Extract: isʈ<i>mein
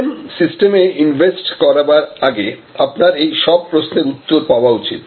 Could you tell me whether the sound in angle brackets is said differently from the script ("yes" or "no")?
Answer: yes